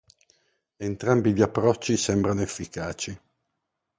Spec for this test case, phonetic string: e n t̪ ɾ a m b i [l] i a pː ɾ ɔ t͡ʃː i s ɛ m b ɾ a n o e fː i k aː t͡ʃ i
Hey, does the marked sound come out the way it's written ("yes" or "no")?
no